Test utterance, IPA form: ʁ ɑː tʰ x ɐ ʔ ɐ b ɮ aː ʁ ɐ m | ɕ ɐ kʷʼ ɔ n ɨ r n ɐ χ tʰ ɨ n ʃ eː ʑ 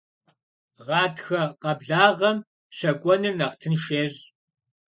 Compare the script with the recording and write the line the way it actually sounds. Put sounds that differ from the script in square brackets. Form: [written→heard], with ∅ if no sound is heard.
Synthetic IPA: ʁ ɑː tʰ x ɐ [ʔ→q] ɐ b ɮ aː ʁ ɐ m | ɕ ɐ kʷʼ ɔ n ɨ r n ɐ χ tʰ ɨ n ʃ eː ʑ

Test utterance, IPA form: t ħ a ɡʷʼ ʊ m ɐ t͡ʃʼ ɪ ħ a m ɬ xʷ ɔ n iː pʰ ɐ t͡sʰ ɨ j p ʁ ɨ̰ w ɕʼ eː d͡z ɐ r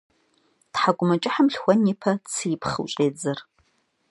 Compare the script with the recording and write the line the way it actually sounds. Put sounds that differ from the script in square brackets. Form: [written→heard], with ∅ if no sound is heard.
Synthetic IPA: t ħ a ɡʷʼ ʊ m ɐ t͡ʃʼ ɪ ħ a m ɬ xʷ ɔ n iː pʰ ɐ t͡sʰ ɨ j p [ʁ→χ] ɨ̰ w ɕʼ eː d͡z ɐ r

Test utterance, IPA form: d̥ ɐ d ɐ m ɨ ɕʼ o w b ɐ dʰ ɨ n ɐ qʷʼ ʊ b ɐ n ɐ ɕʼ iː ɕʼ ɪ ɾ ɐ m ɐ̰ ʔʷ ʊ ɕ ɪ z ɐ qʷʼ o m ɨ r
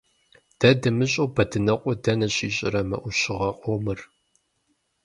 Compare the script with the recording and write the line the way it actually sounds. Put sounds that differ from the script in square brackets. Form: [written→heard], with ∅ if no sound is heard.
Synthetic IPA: d̥ ɐ d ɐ m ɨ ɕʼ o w b ɐ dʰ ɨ n ɐ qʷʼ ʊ [b→d] ɐ n ɐ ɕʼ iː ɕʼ ɪ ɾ ɐ m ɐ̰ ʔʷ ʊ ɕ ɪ [z→ʁ] ɐ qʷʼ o m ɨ r

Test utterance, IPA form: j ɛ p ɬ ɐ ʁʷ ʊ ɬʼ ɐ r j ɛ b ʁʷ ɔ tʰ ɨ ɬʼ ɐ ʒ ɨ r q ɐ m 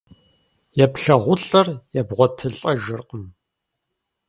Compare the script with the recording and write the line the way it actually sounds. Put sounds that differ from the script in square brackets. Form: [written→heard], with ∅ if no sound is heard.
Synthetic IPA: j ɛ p ɬ ɐ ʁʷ ʊ ɬʼ ɐ r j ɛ b ʁʷ ɔ tʰ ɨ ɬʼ ɐ ʒ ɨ r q [ɐ→ə] m

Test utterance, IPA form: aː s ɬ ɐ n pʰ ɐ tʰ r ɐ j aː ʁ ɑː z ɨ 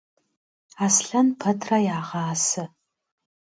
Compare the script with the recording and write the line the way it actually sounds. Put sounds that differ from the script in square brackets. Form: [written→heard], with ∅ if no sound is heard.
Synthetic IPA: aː s ɬ ɐ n pʰ ɐ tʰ r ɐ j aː ʁ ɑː [z→s] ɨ

